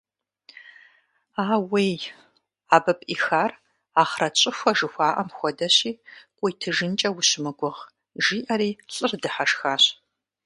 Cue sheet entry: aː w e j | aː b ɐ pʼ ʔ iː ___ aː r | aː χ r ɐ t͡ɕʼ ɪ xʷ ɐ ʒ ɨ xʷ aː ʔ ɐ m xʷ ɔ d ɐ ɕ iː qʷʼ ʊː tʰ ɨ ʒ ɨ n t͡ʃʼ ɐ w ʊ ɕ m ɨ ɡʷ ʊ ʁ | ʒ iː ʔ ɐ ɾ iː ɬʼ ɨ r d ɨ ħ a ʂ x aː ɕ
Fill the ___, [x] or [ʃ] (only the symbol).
x